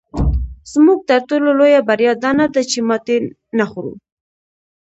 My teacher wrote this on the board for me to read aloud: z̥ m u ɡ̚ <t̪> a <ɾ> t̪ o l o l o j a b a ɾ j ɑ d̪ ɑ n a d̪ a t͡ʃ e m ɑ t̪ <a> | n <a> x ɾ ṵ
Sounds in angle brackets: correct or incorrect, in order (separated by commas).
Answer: correct, correct, incorrect, correct